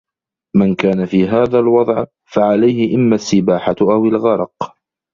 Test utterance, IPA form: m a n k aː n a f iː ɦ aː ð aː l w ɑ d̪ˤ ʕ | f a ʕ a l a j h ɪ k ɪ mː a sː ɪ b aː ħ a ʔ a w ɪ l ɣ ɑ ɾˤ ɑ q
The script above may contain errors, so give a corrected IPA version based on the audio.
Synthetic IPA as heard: m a n k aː n a f iː ɦ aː ð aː l w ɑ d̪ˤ ʕ | f a ʕ a l a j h ɪ ʔ ɪ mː a sː ɪ b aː ħ a ʔ a w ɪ l ɣ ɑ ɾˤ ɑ q